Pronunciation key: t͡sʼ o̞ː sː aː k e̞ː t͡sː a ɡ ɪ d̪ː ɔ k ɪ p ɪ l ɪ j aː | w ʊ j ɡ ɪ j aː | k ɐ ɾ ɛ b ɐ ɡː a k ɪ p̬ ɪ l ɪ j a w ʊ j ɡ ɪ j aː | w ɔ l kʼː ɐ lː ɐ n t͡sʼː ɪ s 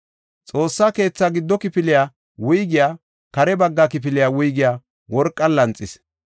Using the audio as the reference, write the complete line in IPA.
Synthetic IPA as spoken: t͡sʼ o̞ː sː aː k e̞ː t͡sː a ɡ ɪ d̪ː ɔ k ɪ p ɪ l ɪ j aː | w ʊ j ɡ ɪ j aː | k ɐ ɾ ɛ b ɐ ɡː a k ɪ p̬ ɪ l ɪ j a w ʊ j ɡ ɪ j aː | w ɔ ɾ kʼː ɐ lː ɐ n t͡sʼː ɪ s

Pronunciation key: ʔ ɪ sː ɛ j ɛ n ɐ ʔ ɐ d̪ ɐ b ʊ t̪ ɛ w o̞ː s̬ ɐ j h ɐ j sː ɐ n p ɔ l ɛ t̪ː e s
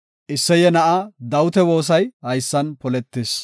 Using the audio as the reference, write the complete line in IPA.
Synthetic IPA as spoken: ʔ ɪ sː ɛ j ɛ n ɐ ʔ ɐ d̪ ɐ w ʊ t̪ ɛ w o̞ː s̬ ɐ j h ɐ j sː ɐ n p ɔ l ɛ t̪ː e s

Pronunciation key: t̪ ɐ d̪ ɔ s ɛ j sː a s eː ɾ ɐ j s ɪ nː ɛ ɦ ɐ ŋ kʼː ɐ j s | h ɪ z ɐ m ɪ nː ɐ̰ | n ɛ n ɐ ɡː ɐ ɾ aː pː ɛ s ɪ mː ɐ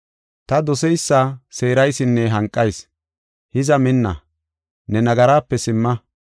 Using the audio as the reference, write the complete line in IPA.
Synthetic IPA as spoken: t̪ ɐ d̪ ɔ s ɛ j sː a s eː ɾ ɐ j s ɪ nː ɛ ɦ ɐ ŋ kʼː ɐ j s | h ɪ z ɐ m ɪ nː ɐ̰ | n ɛ n ɐ ɡ ɐ ɾ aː pː ɛ s ɪ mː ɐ

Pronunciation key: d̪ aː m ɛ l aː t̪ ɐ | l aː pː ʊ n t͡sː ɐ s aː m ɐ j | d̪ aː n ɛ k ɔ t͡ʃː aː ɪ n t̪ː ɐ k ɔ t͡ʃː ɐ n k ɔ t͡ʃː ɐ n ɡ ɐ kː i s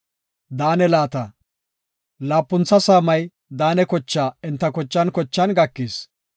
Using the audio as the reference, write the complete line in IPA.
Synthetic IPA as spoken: d̪ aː n ɛ l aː t̪ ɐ | l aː pː ʊ n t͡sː ɐ s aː m ɐ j | d̪ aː n ɛ k ɔ t͡ʃː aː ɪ n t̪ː ɐ k ɔ t͡ʃː ɐ n k ɔ t͡ʃː ɐ n ɡ ɐ kː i s

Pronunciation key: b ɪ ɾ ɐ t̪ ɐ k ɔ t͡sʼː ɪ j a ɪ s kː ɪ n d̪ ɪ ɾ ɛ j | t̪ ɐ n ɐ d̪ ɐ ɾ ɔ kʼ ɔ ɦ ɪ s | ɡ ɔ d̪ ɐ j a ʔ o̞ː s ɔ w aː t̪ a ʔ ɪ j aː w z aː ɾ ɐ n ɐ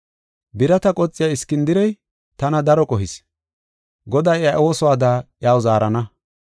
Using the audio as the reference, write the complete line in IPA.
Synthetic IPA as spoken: b ɪ ɾ ɐ t̪ ɐ kʼ ɔ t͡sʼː ɪ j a ɪ s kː ɪ n d̪ ɪ ɾ ɛ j | t̪ ɐ n ɐ d̪ ɐ ɾ ɔ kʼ ɔ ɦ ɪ s | ɡ ɔ d̪ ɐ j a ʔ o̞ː s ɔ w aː d̪ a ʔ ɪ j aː w z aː ɾ ɐ n ɐ

